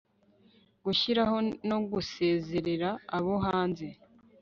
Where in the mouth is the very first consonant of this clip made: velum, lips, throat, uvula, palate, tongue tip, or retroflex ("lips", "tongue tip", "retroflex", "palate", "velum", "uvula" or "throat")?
velum